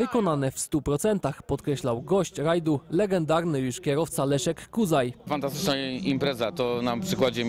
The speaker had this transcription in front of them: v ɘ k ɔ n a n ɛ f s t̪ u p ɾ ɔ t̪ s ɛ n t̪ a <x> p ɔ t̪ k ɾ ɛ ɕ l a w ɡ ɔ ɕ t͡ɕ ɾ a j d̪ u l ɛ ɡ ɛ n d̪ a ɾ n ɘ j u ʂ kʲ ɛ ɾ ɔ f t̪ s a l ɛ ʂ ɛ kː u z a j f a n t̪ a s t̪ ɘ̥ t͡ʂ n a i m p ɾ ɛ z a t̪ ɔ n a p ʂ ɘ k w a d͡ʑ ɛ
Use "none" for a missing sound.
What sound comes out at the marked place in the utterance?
x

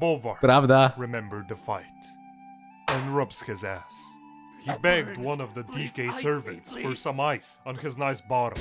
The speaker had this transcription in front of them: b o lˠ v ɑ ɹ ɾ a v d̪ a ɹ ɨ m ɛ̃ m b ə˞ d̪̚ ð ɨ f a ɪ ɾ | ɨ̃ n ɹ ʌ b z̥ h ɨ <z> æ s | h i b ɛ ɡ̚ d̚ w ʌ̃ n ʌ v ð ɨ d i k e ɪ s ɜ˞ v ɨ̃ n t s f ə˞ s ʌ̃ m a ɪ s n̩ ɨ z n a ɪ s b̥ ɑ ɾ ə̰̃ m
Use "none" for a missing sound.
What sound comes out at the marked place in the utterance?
z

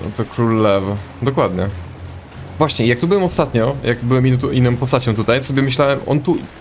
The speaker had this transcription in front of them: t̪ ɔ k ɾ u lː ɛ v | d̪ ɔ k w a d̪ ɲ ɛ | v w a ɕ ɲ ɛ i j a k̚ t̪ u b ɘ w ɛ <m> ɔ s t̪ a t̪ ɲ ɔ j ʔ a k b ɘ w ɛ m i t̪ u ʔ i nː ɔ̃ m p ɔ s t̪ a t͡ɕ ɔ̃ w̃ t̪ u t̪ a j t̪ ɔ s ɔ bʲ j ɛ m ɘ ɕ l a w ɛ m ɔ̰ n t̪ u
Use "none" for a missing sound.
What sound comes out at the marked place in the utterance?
m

